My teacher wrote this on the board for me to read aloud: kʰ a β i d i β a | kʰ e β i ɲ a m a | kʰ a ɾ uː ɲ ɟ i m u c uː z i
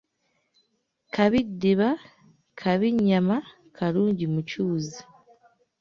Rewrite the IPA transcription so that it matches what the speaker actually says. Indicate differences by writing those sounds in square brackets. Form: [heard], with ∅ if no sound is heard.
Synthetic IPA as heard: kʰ a β i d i β a | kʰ [a] β i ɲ a m a | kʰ a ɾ uː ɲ ɟ i m u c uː z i

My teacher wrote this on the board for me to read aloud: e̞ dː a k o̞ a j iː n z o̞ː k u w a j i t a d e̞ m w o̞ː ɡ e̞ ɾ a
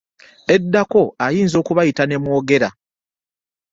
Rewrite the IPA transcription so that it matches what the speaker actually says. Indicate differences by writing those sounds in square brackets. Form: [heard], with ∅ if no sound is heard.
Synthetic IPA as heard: e̞ dː a k o̞ a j iː n z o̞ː k u [β] a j i t a [n] e̞ m w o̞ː ɡ e̞ ɾ a

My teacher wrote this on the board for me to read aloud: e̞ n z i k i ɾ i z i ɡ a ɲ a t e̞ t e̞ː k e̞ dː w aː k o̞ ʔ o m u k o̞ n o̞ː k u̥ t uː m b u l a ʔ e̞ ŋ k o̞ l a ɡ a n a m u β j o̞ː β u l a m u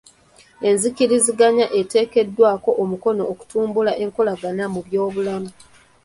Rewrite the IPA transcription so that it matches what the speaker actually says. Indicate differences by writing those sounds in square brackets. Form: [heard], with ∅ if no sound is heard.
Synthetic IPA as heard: e̞ n z i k i ɾ i z i ɡ a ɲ a [ʔ] e̞ t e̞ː k e̞ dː w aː k o̞ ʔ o m u k o̞ n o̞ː k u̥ t uː m b u l a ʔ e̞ ŋ k o̞ l a ɡ a n a m u β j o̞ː β u l a m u

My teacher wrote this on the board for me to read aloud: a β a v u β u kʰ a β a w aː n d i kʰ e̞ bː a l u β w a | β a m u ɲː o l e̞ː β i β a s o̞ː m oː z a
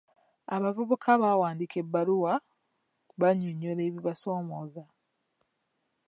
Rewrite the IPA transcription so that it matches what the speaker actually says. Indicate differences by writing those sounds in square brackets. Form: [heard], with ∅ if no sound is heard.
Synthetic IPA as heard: a β a v u β u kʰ a β a w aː n d i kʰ e̞ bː a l u [∅] w a | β a [ɲ] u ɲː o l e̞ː β i β a s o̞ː m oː z a

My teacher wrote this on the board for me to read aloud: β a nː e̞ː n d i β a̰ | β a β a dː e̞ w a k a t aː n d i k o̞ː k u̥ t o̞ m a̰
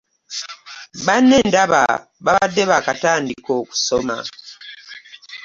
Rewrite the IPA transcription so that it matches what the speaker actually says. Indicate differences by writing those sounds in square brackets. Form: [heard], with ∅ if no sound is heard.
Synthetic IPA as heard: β a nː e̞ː n d [a] β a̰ | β a β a dː e̞ [β] a k a t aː n d i k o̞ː k u̥ [s] o̞ m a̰

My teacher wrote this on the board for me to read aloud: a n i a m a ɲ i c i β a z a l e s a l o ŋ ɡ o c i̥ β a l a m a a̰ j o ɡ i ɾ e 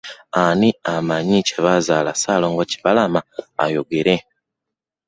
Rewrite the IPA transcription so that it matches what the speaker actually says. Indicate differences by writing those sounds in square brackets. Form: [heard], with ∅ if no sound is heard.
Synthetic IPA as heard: a n i a m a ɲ i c [e] β a z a l [a] s a l o ŋ ɡ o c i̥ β a l a m a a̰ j o ɡ [e] ɾ e

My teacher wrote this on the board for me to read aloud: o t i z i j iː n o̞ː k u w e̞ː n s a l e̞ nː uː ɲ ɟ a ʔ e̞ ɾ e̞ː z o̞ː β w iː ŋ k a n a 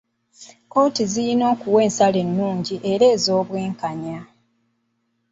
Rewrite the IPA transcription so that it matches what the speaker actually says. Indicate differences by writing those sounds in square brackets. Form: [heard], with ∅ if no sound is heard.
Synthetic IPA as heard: o t i z i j [i] n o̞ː k u w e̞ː n s a l e̞ nː uː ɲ ɟ [i] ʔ e̞ ɾ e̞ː z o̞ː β w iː ŋ k a [ɲ] a

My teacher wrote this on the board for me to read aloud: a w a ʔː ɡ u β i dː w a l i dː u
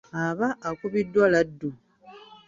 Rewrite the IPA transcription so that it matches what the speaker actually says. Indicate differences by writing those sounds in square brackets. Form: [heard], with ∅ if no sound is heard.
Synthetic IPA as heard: a [β] a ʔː [k] u β i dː w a l [a] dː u

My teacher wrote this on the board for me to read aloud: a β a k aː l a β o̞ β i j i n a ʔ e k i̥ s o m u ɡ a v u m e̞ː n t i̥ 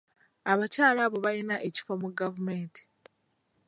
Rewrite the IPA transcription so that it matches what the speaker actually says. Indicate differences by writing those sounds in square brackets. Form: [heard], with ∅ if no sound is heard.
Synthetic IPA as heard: a β a [c] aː l a β o̞ β [a] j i n a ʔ e [c] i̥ [f] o m u ɡ a v u m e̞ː n t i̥

